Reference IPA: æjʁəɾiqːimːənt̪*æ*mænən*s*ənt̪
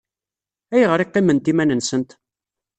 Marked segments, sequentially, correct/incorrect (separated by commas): incorrect, correct